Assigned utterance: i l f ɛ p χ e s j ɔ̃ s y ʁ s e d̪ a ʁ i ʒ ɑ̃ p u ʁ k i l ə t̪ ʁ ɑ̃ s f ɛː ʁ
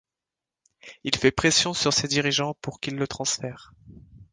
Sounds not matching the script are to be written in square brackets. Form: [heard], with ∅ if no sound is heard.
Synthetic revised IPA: i l f ɛ p χ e s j ɔ̃ s y ʁ s e d̪ [i] ʁ i ʒ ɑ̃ p u ʁ k i [lː] ə t̪ [χ] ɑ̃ s f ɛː ʁ